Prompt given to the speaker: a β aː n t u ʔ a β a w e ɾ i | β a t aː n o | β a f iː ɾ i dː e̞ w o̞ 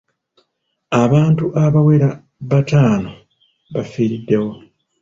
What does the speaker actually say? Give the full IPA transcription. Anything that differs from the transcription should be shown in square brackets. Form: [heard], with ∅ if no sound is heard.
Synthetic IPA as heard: a β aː n t u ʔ a β a w e ɾ [a] | β a t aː n o | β a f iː ɾ i dː e̞ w o̞